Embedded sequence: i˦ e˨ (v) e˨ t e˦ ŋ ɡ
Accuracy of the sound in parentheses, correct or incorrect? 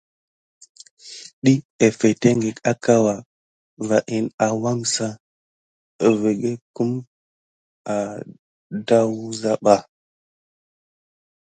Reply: incorrect